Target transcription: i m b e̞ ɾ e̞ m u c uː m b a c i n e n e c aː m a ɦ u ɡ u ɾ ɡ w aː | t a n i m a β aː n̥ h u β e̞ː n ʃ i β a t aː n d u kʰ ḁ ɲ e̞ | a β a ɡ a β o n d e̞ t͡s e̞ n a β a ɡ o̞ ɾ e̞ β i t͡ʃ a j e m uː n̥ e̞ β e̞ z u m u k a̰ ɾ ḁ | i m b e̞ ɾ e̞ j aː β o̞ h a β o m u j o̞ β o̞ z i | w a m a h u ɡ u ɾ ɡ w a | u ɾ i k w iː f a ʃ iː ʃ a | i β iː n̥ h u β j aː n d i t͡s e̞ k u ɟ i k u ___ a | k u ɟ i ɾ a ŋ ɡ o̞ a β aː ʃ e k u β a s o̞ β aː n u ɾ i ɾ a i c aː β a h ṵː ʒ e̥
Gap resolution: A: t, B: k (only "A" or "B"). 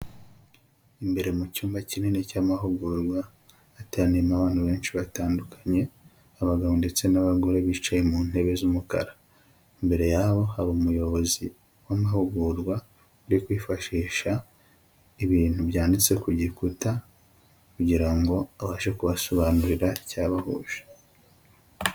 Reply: A